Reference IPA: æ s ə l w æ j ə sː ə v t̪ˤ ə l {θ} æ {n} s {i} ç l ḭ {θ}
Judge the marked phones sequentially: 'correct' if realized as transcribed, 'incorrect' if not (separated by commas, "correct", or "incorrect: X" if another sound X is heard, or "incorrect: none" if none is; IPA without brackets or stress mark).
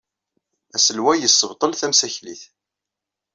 correct, incorrect: m, incorrect: æ, correct